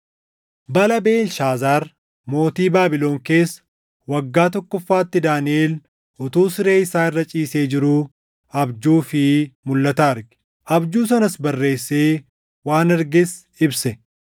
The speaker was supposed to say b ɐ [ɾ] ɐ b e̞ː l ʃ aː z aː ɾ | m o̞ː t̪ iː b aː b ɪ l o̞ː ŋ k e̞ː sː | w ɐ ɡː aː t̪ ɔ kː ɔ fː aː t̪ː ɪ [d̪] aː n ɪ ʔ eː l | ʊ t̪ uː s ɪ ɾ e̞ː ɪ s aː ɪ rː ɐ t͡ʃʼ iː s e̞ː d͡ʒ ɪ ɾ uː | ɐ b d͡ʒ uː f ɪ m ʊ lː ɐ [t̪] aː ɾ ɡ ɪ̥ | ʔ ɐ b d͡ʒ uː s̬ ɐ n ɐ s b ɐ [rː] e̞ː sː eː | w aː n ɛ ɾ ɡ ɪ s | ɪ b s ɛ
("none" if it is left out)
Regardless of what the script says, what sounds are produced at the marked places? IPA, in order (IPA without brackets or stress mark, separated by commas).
l, d̪, t̪, rː